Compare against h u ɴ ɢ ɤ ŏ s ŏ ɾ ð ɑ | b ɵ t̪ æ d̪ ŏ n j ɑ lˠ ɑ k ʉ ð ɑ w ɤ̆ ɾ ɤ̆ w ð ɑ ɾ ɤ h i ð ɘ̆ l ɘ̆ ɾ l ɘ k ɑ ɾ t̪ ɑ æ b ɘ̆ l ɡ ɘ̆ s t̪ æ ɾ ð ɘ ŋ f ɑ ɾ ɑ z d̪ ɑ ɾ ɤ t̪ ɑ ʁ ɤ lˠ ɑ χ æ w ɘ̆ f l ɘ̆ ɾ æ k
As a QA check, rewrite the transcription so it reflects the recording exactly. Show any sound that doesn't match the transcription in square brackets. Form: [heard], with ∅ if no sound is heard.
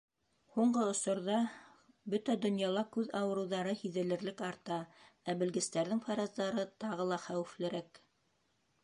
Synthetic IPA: h u ɴ ɢ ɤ ŏ s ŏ ɾ ð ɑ | b ɵ t̪ æ d̪ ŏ n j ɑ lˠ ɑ k ʉ ð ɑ w ɤ̆ ɾ ɤ̆ w ð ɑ ɾ ɤ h i ð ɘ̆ l ɘ̆ ɾ l ɘ k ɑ ɾ t̪ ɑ æ b ɘ̆ l ɡ ɘ̆ s t̪ æ ɾ ð ɘ ŋ f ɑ ɾ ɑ z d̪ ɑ ɾ ɤ t̪ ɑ ʁ ɤ lˠ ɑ χ æ w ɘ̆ f l ɘ̆ ɾ æ k